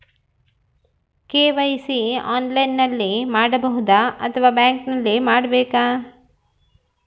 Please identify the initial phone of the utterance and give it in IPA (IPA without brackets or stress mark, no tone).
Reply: k